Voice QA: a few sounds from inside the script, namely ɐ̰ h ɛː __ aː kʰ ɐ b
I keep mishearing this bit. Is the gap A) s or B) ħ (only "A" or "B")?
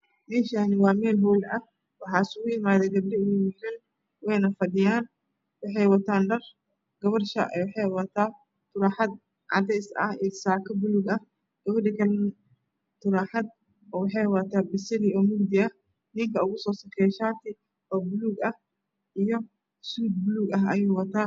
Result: A